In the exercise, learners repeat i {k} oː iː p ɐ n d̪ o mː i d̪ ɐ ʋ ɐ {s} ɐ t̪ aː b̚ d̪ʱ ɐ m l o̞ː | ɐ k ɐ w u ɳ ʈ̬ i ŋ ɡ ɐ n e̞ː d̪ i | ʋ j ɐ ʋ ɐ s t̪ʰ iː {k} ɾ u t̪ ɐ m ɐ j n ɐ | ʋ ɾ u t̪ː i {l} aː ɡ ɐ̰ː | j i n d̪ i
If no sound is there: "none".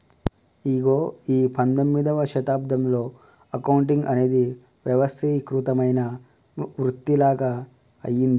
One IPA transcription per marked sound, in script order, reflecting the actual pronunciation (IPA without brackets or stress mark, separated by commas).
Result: ɡ, ʃ, k, l